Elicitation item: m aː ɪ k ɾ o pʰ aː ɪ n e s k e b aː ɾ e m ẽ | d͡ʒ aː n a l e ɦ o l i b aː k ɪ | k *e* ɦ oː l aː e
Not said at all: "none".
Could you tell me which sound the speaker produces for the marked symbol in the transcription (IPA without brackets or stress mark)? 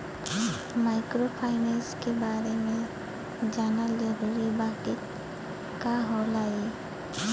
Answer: a